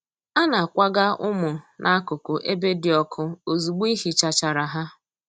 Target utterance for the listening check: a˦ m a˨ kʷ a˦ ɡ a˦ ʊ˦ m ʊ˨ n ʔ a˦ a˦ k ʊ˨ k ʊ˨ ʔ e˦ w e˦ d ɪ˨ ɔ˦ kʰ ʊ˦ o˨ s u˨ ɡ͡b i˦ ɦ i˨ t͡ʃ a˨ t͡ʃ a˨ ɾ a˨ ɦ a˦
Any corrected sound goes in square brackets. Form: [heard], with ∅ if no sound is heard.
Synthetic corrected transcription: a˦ [n] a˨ kʷ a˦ ɡ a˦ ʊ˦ m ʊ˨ n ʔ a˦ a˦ k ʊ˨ k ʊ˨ ʔ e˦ [b] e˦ d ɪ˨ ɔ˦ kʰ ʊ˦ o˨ [z] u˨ ɡ͡b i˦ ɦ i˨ t͡ʃ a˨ t͡ʃ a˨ ɾ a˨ ɦ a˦